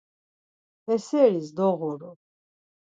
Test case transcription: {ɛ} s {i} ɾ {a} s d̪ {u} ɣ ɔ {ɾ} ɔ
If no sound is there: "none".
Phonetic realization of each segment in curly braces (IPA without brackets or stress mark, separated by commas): ɛ, ɛ, i, ɔ, ɾ